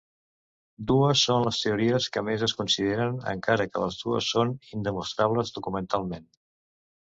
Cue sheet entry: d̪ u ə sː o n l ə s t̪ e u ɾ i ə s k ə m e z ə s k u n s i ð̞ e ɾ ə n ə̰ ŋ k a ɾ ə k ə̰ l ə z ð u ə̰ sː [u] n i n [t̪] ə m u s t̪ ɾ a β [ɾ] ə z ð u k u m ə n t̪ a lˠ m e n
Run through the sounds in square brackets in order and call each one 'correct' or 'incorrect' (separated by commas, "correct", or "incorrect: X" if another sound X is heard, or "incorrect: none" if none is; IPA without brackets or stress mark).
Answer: incorrect: o, incorrect: d̪, incorrect: l